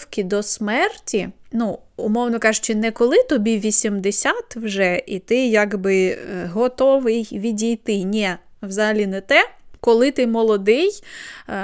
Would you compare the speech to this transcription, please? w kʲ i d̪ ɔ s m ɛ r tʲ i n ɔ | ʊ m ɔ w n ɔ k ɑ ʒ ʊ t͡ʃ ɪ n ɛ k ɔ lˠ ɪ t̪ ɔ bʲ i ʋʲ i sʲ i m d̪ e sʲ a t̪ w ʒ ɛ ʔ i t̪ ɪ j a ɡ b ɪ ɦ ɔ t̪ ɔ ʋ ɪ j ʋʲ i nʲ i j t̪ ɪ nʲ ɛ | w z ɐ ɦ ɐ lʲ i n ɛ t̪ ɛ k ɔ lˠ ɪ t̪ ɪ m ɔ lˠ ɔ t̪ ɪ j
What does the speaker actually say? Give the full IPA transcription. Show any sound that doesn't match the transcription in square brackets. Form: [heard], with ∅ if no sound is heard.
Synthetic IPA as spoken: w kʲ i d̪ ɔ s m ɛ r tʲ i n [u] | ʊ m ɔ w n ɔ k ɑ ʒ ʊ t͡ʃ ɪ n ɛ k ɔ lˠ ɪ t̪ ɔ bʲ i ʋʲ i sʲ i m d̪ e sʲ a t̪ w ʒ ɛ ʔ i t̪ ɪ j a ɡ b ɪ ɦ ɔ t̪ ɔ ʋ ɪ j ʋʲ i [dʲ] i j t̪ ɪ nʲ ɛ | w z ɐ ɦ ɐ lʲ i n ɛ t̪ ɛ k ɔ lˠ ɪ t̪ ɪ m ɔ lˠ ɔ [d̪] ɪ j